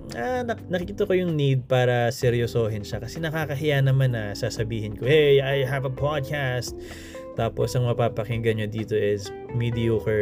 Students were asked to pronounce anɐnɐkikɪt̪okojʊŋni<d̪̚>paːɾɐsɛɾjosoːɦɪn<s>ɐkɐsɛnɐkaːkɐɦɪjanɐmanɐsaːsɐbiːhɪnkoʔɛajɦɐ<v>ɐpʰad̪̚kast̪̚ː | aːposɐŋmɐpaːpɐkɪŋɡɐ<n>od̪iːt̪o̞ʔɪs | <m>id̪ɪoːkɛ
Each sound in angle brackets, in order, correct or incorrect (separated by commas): correct, incorrect, correct, incorrect, correct